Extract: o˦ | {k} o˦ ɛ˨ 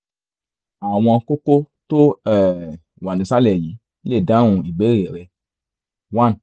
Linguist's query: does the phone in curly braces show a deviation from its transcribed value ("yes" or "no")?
yes